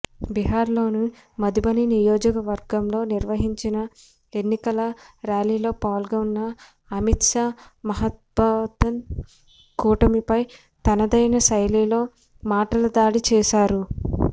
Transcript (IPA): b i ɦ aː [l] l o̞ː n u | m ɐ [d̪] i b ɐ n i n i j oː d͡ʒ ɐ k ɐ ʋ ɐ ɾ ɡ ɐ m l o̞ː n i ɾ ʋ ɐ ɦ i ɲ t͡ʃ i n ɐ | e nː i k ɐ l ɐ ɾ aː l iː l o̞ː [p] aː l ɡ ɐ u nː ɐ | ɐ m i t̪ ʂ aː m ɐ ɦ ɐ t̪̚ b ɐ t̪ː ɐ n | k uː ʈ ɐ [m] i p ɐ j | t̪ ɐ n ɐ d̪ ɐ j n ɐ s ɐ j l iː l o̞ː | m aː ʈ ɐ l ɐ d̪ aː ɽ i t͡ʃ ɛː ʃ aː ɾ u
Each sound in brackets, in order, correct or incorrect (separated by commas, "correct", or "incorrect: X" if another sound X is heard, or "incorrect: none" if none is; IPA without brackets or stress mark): incorrect: ɾ, correct, correct, correct